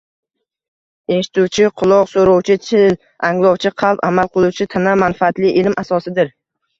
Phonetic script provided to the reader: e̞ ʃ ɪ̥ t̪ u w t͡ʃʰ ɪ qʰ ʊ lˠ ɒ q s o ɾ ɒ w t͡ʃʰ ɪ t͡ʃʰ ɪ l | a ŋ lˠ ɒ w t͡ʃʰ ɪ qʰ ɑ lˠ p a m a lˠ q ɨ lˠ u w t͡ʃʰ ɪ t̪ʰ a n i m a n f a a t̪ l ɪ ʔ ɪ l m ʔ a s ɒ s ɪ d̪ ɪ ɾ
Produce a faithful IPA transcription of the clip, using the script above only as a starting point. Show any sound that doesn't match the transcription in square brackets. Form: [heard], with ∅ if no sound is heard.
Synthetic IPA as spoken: e̞ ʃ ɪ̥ t̪ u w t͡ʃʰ ɪ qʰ ʊ lˠ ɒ q s o ɾ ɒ w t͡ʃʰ ɪ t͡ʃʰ ɪ l | a ŋ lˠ ɒ w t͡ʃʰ ɪ qʰ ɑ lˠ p a m a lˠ q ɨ lˠ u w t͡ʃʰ ɪ t̪ʰ a n [a] m a n f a a t̪ l ɪ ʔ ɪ l m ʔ a s ɒ s ɪ d̪ ɪ ɾ